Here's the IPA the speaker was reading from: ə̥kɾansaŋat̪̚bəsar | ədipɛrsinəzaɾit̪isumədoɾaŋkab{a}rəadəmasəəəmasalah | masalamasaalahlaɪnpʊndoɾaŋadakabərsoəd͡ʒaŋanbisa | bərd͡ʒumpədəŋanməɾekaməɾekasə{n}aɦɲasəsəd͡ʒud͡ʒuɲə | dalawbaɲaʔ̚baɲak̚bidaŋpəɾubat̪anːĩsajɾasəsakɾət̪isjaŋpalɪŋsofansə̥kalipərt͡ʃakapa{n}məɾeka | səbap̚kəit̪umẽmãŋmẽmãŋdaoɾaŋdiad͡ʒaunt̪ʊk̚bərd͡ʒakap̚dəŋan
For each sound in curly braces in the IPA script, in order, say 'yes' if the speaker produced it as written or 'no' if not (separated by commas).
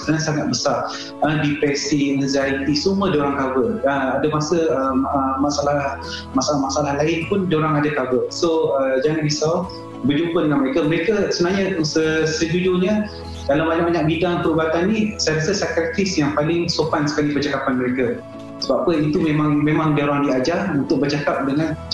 no, yes, yes